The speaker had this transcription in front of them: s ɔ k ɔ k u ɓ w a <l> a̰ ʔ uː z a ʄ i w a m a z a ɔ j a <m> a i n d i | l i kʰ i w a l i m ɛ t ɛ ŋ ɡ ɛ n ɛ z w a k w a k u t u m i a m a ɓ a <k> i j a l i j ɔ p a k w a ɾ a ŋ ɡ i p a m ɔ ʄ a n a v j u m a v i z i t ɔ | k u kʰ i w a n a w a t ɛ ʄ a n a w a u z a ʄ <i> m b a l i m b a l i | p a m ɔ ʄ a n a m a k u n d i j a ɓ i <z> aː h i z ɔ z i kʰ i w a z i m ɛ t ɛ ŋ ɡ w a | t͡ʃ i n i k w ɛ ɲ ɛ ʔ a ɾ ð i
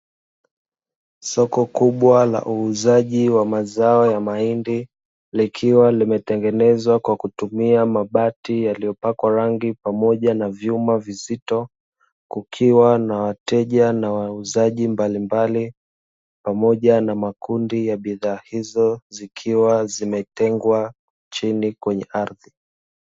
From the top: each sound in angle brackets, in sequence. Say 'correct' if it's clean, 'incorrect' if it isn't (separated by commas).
correct, correct, incorrect, correct, incorrect